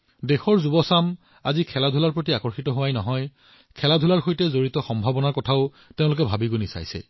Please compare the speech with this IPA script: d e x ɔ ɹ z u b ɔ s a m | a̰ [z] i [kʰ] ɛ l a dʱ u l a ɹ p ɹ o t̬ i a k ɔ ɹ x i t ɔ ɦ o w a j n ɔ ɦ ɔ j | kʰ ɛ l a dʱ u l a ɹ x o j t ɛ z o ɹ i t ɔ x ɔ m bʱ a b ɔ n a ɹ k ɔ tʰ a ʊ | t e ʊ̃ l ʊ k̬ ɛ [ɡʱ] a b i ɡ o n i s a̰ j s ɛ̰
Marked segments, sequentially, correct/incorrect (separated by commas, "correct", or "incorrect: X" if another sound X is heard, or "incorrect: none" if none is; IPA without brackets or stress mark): correct, correct, incorrect: bʱ